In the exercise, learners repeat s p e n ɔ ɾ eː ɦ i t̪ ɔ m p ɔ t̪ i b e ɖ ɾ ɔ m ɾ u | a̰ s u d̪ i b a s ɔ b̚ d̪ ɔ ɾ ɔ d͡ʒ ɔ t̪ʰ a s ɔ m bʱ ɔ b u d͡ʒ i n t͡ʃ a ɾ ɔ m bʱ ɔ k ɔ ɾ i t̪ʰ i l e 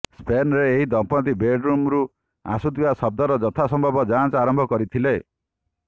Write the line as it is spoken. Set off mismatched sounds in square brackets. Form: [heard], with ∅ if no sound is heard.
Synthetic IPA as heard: s p e n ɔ ɾ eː ɦ i [d̪] ɔ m p ɔ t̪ i b e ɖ ɾ [u] m ɾ u | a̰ s u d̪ i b a s ɔ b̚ d̪ ɔ ɾ ɔ d͡ʒ ɔ t̪ʰ a s ɔ m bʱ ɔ b [ɔ] d͡ʒ [a] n t͡ʃ a ɾ ɔ m bʱ ɔ k ɔ ɾ i t̪ʰ i l e